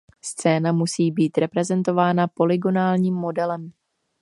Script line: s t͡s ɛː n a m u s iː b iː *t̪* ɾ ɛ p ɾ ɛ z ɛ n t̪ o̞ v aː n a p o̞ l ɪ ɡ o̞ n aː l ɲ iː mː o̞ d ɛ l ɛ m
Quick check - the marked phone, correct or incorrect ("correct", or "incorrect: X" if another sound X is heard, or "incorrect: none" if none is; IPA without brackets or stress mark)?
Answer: correct